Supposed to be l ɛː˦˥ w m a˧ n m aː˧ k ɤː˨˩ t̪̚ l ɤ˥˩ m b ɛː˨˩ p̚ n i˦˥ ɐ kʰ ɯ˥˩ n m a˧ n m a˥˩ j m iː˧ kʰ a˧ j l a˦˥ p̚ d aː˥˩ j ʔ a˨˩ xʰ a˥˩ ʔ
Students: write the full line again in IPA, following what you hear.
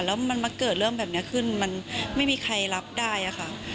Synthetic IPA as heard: l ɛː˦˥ w m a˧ n m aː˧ k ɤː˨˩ t̪̚ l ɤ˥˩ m b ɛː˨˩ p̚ n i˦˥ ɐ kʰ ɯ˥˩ n m a˧ n m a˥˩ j m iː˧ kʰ a˧ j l a˦˥ p̚ d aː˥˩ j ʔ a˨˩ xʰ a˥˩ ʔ